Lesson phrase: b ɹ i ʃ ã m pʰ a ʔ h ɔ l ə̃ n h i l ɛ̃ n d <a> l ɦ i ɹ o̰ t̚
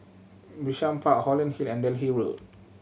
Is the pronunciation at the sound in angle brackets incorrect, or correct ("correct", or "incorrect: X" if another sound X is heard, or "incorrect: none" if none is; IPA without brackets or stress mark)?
incorrect: ɛ